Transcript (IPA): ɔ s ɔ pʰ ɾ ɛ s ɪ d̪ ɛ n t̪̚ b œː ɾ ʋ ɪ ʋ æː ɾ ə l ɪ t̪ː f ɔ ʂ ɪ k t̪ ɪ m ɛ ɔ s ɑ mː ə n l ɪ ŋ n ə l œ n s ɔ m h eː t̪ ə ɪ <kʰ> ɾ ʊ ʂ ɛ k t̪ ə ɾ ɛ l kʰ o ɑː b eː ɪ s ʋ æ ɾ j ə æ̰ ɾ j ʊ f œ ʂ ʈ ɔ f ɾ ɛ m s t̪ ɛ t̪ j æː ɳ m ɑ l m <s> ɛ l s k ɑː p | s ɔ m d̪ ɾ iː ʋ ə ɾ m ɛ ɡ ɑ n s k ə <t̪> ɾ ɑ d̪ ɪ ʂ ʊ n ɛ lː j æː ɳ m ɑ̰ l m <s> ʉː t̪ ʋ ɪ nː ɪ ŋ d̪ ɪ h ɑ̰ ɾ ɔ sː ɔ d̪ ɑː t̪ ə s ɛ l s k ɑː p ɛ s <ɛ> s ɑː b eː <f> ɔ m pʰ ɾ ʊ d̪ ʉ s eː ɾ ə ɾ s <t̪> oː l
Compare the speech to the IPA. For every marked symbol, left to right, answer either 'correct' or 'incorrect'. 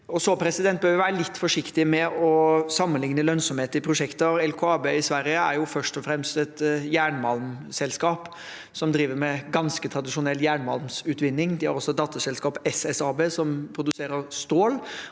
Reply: incorrect: pʰ, correct, incorrect: t̪ʰ, correct, correct, incorrect: s, correct

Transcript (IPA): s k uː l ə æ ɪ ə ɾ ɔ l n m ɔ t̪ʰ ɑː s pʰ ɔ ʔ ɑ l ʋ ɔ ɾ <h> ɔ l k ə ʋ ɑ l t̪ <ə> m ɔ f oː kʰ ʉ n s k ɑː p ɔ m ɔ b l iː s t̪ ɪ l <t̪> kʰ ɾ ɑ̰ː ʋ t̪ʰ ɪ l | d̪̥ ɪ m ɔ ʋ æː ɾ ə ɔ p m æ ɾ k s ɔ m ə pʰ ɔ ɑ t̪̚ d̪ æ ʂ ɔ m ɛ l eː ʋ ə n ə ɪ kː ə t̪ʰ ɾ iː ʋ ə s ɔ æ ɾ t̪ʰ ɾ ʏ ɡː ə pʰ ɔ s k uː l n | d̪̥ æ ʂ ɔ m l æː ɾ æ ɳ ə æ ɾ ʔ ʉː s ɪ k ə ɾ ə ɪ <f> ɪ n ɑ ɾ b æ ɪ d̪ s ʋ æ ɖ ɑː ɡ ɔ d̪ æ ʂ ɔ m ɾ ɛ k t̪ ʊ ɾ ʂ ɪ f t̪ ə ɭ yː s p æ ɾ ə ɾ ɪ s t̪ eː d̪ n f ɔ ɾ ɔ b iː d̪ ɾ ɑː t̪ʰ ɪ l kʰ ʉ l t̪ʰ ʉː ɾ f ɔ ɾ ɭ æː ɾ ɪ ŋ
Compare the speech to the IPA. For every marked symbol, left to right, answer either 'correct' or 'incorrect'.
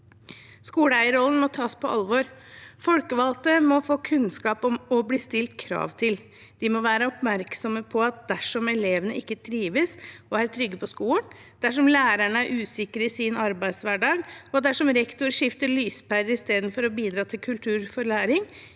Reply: incorrect: f, correct, correct, incorrect: s

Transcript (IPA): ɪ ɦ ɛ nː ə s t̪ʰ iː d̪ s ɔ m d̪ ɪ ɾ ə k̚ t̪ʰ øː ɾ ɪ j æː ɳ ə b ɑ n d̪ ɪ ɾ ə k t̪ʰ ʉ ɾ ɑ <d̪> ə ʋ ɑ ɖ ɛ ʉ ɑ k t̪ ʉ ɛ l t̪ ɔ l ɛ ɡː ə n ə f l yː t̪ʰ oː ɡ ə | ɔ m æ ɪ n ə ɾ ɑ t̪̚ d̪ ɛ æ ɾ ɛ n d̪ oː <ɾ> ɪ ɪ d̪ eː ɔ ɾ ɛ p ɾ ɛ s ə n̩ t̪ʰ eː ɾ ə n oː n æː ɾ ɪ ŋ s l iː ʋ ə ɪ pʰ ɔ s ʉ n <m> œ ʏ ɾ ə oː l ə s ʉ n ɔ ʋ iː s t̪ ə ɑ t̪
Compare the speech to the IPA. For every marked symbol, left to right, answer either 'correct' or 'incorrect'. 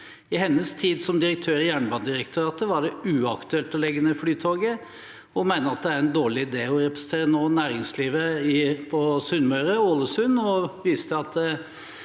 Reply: incorrect: t̪, incorrect: ɭ, correct

